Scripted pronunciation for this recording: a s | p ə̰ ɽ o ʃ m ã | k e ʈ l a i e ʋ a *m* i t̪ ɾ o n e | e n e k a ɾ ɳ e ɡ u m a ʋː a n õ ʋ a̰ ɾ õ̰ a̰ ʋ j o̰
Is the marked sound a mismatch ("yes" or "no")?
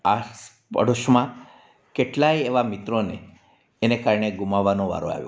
no